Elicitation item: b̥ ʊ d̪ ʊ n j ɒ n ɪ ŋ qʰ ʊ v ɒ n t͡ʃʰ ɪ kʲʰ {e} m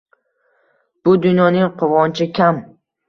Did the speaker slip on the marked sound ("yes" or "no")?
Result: yes